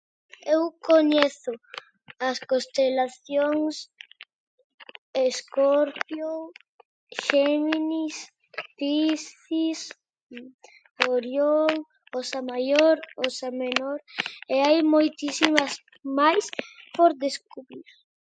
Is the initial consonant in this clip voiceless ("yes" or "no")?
no